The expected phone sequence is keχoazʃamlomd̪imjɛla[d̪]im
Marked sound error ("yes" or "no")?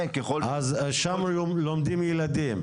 no